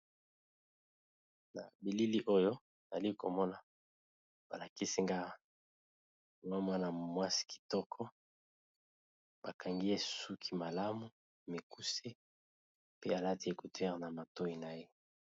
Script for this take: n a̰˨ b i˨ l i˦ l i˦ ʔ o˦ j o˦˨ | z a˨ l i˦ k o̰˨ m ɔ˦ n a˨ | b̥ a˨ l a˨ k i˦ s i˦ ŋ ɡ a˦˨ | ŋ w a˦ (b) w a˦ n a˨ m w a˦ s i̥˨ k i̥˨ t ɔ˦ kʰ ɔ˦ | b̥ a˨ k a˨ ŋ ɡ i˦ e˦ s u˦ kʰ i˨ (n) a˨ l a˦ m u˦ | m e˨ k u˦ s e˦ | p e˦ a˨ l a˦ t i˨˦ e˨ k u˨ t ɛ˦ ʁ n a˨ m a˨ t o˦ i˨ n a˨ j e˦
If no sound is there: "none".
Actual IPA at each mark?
m, m

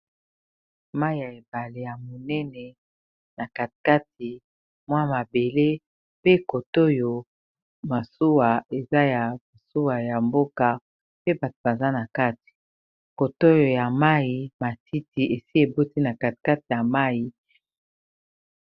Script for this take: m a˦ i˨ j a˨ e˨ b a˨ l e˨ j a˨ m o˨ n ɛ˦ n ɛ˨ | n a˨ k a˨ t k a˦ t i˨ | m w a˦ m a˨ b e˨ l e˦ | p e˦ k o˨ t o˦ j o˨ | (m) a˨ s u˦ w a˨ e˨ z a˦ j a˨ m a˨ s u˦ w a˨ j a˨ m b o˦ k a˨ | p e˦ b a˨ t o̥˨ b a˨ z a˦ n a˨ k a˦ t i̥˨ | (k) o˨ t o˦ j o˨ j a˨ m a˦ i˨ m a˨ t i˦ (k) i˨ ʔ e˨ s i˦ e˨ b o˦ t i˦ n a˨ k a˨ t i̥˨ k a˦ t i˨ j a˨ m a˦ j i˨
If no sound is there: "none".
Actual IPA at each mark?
m, k, t

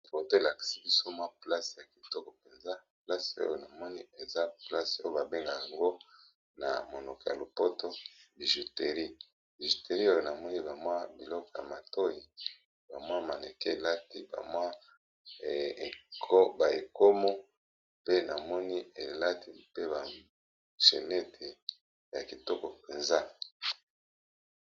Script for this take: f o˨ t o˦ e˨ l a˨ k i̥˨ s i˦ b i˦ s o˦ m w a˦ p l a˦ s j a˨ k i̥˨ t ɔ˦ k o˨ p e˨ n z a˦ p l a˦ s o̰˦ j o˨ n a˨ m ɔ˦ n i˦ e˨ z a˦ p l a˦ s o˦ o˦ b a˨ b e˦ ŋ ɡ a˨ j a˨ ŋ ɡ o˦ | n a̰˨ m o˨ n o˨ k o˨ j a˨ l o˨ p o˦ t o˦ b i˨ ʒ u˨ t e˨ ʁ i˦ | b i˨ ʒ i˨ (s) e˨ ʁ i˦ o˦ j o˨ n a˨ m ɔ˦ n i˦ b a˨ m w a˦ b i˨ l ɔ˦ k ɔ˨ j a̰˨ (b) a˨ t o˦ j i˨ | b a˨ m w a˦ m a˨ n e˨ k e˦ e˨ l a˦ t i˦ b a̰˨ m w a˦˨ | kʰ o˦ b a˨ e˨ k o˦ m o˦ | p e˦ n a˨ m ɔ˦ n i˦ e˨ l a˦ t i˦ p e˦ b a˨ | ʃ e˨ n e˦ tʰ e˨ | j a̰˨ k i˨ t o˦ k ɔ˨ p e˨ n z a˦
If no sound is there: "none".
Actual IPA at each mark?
t, m

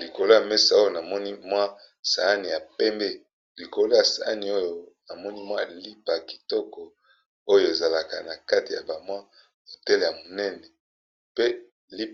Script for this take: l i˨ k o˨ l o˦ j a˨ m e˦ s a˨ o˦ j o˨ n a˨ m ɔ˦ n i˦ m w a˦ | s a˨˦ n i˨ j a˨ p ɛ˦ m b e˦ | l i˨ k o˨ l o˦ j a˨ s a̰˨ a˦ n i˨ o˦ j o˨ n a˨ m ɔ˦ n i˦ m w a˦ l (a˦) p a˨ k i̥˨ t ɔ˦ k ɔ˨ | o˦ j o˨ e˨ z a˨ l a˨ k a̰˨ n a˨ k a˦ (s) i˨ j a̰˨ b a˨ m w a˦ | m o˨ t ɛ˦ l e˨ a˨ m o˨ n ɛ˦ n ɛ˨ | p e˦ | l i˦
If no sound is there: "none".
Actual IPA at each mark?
i˦, t

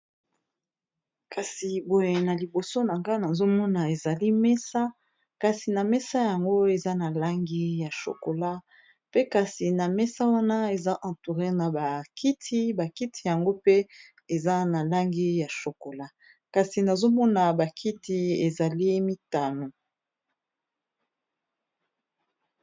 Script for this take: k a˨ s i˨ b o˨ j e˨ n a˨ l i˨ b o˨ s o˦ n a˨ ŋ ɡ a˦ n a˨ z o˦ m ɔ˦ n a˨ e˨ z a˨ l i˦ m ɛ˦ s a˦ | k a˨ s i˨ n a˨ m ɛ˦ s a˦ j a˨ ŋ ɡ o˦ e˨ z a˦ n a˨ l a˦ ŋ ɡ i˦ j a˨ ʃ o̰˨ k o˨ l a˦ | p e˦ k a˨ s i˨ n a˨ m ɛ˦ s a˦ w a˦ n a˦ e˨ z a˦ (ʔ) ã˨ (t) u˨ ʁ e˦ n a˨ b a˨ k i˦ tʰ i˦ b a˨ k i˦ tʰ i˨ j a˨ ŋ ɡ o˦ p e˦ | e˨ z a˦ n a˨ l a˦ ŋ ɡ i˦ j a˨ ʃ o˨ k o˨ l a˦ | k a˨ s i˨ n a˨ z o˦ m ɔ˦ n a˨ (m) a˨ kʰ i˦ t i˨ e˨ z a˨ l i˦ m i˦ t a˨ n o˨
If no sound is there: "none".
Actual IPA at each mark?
ʔ, t, b

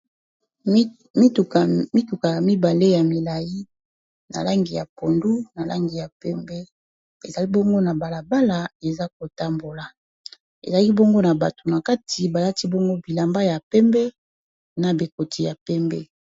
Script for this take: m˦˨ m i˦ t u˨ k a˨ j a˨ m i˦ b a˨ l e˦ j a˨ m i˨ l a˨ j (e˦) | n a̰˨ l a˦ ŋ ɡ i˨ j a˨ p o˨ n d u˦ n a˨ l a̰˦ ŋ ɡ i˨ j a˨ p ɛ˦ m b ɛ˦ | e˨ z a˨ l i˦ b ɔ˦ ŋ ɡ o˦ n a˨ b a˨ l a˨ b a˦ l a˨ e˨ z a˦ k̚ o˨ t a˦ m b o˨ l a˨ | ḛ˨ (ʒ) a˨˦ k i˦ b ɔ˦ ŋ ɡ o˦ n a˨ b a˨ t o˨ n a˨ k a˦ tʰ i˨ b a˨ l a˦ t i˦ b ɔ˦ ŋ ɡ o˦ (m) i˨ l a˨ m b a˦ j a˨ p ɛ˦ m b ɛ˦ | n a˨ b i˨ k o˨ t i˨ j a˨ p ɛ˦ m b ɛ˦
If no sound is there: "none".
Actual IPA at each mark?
i˦, z, b

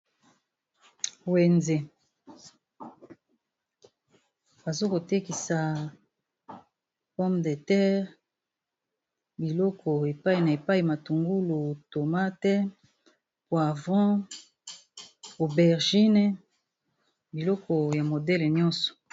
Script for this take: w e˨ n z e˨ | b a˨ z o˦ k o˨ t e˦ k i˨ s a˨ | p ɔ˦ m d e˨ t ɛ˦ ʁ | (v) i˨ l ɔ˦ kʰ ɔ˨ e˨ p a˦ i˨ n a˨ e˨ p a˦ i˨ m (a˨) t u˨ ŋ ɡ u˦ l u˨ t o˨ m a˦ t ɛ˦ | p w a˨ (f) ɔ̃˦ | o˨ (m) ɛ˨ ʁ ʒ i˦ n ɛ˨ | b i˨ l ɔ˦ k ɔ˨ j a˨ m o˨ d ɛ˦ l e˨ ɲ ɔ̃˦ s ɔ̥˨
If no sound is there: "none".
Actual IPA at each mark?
b, a˨, v, b

